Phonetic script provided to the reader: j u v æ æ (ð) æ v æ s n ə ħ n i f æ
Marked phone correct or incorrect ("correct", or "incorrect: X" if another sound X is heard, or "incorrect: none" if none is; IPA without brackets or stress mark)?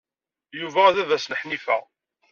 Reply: correct